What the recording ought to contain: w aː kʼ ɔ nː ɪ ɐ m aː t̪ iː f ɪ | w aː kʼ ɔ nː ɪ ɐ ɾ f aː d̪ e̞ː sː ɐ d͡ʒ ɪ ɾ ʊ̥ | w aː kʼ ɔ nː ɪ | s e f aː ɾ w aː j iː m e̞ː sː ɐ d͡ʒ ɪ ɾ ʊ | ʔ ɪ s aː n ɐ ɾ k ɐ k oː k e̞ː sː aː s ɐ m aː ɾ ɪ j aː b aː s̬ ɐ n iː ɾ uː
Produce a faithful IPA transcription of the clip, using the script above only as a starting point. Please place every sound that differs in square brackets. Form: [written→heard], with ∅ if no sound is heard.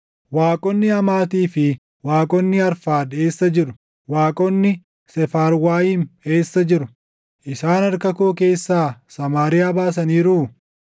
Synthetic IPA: w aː kʼ ɔ nː ɪ ɐ m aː t̪ iː f ɪ | w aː kʼ ɔ nː ɪ ɐ ɾ f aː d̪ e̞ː sː ɐ d͡ʒ ɪ ɾ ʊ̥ | w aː kʼ ɔ nː ɪ | s [e→ɛ] f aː ɾ w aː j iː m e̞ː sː ɐ d͡ʒ ɪ ɾ ʊ | ʔ ɪ s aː n ɐ ɾ k ɐ k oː k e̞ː sː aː s ɐ m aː ɾ ɪ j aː b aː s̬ ɐ n iː ɾ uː